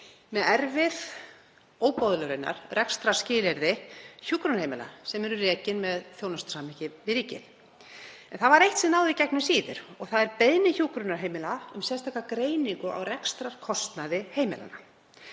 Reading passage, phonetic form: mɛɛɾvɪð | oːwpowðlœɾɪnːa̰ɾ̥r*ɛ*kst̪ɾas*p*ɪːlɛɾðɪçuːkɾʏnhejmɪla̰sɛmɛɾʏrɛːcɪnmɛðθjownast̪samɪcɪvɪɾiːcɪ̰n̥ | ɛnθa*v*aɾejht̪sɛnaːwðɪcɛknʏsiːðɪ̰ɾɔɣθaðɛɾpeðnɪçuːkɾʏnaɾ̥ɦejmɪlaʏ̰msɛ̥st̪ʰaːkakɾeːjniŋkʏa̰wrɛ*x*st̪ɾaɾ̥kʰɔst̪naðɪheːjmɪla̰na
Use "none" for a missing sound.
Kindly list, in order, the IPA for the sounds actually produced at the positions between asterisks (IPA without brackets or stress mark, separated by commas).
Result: ɛ, c, v, k